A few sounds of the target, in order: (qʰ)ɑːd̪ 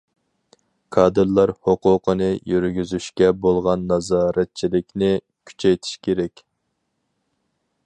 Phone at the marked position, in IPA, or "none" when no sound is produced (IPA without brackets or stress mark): kʰ